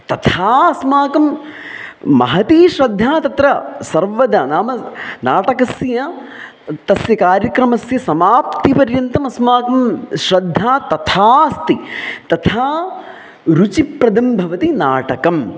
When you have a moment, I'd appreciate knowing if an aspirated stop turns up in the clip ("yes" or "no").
yes